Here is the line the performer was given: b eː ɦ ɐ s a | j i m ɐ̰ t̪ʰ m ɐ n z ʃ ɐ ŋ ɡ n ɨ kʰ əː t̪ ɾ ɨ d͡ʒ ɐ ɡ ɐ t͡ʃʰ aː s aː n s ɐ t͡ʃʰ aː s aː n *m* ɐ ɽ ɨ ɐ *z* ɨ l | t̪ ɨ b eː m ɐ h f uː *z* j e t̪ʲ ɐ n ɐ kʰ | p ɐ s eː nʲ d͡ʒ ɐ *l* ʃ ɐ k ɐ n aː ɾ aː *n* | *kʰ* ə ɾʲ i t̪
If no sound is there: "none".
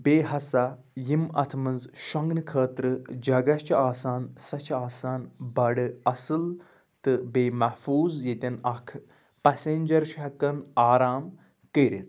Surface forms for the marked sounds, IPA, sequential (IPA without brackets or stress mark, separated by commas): b, s, z, ɾ, m, k